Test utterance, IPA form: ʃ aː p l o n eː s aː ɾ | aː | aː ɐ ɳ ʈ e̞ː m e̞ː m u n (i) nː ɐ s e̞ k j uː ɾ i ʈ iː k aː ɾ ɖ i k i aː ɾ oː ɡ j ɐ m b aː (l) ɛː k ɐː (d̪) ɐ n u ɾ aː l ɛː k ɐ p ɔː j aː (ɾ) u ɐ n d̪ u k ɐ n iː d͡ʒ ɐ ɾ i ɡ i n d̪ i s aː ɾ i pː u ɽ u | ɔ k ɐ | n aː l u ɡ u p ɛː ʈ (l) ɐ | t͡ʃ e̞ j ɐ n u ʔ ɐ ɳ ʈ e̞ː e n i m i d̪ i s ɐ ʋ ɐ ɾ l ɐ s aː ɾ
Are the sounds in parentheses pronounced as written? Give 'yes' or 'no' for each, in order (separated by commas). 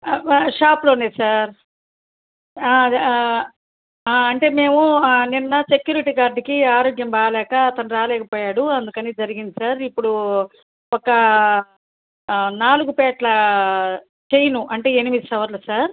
yes, yes, no, no, yes